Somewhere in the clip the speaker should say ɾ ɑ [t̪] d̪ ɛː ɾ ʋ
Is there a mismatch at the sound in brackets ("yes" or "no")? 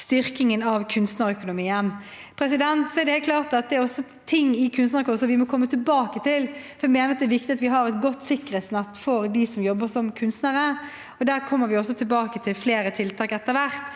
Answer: no